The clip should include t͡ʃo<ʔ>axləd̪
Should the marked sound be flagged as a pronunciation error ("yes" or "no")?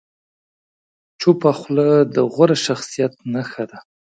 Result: yes